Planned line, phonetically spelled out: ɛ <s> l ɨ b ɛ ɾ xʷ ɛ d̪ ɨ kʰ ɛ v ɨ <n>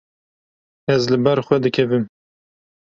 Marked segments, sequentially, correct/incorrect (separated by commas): incorrect, incorrect